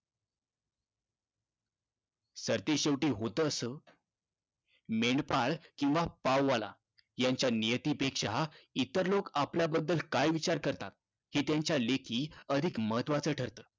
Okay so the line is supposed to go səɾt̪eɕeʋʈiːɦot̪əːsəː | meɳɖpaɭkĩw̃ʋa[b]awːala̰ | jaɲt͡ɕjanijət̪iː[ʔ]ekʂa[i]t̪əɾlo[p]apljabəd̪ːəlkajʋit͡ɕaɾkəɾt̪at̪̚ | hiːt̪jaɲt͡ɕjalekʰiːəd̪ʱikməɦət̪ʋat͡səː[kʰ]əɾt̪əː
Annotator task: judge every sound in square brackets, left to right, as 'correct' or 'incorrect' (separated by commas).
incorrect, incorrect, correct, incorrect, incorrect